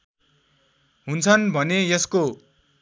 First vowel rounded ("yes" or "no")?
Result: yes